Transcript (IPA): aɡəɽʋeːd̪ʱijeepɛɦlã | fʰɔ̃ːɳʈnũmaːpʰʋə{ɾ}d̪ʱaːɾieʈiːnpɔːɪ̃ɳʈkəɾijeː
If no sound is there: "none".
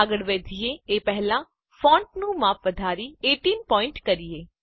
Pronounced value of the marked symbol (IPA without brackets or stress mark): none